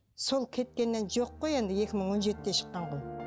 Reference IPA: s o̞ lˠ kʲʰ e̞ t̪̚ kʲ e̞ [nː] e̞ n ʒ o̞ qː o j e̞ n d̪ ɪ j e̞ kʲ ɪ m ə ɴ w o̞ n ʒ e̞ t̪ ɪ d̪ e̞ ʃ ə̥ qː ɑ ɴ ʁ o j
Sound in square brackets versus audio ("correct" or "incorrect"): correct